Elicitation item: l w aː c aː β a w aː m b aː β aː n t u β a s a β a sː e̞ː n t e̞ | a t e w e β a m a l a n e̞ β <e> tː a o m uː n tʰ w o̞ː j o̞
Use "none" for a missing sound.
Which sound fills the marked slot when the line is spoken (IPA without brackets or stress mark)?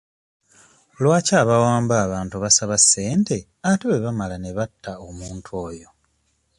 a